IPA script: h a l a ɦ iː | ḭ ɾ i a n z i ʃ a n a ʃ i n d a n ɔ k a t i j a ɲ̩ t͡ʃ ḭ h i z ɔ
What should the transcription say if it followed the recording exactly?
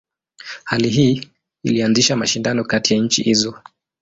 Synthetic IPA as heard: h a l i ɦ iː | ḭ l i a n z i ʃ a m a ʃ i n d a n ɔ k a t i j a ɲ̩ t͡ʃ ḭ h i z ɔ